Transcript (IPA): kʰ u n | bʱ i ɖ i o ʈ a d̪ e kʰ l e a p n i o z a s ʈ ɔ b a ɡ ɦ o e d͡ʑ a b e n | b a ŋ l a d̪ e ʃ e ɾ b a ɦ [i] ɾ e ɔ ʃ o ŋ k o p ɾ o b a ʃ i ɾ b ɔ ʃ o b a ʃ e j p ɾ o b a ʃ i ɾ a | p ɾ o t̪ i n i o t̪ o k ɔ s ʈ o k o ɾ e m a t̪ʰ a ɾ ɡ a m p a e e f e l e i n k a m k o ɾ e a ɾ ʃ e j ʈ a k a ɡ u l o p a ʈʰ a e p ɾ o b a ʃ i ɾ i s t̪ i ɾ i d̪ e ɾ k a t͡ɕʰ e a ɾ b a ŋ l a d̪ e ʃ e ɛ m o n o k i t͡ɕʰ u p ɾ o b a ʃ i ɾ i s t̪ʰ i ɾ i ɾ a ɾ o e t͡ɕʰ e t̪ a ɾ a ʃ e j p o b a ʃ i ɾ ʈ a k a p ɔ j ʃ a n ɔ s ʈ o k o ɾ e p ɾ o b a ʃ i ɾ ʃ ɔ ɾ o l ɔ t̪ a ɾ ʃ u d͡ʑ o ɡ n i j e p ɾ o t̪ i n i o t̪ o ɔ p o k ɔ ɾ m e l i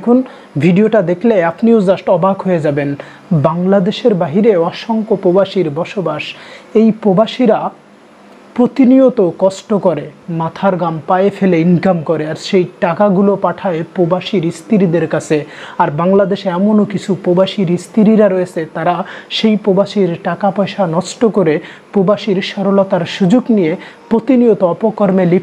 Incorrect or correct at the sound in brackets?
correct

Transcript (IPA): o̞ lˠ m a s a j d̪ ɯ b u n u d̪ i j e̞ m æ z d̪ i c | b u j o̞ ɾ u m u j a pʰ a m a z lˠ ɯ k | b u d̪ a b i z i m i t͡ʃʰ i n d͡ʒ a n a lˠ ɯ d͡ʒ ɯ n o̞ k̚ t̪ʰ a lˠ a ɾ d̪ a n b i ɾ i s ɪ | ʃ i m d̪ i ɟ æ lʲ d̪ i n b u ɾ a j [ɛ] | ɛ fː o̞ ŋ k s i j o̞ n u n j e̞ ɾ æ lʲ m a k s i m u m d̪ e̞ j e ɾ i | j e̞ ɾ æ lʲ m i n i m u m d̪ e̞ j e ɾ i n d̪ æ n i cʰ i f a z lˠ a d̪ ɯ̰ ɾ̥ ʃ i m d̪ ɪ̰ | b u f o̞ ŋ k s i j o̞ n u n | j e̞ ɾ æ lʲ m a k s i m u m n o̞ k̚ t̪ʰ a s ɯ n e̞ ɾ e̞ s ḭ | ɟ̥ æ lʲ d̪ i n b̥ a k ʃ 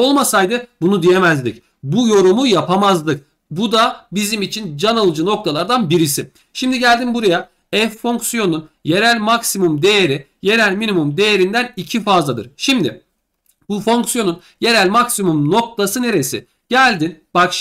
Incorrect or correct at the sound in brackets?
incorrect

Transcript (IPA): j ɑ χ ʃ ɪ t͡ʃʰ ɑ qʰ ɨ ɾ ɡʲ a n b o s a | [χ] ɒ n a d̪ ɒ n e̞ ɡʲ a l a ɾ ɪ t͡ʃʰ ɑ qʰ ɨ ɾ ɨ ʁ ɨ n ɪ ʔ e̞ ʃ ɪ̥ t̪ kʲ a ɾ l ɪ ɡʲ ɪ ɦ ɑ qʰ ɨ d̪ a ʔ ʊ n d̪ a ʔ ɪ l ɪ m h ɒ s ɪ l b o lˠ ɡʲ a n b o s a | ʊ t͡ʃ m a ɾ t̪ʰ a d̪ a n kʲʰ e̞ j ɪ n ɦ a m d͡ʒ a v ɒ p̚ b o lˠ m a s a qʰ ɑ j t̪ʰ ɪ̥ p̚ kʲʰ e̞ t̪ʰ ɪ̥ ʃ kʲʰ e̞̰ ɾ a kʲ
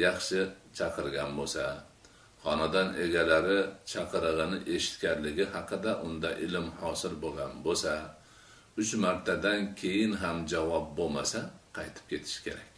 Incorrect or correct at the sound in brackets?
correct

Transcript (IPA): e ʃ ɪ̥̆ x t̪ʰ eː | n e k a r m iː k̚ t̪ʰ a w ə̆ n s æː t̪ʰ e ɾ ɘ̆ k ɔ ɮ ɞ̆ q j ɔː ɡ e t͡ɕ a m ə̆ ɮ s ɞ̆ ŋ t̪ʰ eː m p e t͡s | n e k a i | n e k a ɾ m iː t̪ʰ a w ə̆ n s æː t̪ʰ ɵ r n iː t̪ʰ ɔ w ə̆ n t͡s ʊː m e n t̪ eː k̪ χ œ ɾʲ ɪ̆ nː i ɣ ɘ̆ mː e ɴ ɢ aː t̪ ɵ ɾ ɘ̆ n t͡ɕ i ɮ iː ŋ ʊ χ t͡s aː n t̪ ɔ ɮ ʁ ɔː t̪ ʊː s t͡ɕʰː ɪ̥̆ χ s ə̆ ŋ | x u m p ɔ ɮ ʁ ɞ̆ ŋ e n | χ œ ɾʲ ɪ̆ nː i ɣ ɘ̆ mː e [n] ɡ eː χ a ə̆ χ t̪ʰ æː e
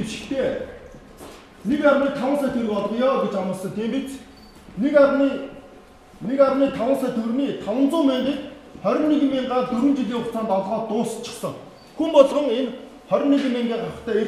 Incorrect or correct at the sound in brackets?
incorrect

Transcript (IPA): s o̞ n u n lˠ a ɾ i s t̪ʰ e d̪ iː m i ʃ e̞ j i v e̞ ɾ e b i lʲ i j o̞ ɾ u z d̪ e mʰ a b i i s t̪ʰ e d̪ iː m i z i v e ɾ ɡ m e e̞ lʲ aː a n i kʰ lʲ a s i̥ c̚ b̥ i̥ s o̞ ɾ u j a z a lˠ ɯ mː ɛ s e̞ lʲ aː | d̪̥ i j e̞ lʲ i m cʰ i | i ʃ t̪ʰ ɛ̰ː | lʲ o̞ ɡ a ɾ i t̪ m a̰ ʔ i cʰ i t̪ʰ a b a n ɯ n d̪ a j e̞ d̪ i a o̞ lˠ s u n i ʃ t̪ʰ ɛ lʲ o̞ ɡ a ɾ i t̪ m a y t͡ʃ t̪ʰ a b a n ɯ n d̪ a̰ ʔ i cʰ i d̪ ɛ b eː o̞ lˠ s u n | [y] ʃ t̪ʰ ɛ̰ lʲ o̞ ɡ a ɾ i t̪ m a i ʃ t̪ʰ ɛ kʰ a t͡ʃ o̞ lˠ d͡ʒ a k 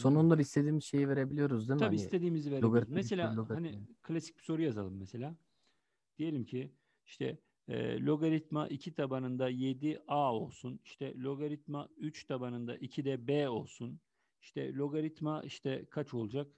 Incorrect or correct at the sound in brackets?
incorrect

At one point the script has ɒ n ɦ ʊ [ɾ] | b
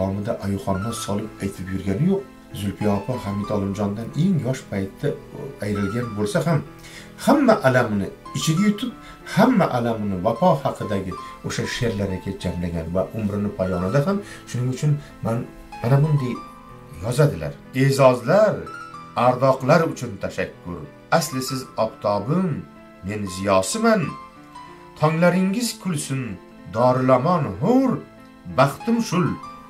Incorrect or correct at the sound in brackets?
correct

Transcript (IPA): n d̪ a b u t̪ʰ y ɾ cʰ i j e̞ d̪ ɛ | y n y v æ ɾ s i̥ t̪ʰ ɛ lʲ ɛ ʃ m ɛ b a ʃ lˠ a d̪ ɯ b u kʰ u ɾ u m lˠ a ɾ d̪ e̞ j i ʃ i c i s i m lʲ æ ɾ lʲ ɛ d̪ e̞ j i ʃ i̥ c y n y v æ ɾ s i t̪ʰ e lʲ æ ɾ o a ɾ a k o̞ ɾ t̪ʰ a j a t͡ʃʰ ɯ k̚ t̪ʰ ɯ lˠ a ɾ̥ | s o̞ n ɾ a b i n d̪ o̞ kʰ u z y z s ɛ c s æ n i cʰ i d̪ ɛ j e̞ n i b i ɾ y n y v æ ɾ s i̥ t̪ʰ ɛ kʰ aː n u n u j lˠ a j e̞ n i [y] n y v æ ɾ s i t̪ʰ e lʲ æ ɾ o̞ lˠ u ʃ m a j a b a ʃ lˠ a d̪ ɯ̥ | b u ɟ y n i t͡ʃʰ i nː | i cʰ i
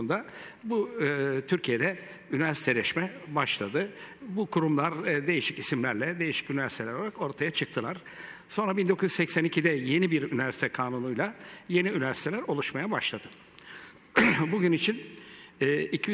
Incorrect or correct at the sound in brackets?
correct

